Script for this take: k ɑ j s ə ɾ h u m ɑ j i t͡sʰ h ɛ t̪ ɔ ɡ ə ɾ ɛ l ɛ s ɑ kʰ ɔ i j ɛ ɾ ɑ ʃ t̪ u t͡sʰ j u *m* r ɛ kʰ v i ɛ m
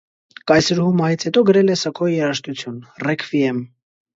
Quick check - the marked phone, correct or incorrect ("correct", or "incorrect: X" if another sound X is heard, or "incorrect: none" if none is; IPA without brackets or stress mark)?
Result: incorrect: n